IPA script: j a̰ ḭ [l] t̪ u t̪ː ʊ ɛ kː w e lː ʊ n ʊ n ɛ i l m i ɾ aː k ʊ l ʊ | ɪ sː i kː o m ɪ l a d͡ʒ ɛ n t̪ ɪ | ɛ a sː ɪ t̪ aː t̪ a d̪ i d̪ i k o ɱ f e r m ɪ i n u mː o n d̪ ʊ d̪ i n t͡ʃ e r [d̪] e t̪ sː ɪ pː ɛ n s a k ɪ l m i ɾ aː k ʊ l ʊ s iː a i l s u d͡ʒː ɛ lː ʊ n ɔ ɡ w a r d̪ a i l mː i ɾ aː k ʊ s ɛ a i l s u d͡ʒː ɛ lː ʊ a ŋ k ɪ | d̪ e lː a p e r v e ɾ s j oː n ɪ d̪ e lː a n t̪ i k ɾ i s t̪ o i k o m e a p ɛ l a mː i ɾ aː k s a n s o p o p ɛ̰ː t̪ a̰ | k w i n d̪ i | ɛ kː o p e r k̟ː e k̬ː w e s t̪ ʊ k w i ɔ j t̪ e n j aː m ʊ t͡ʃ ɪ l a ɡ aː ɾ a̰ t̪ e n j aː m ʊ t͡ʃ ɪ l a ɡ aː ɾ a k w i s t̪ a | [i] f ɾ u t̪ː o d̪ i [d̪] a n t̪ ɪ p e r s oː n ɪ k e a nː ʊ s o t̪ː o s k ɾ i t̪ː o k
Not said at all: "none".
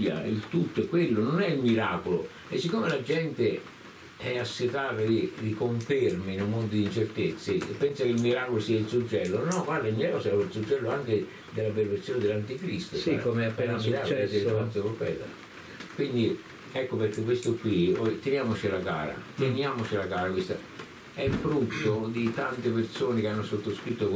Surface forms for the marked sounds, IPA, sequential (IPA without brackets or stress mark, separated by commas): l, t̪, ɛ, t̪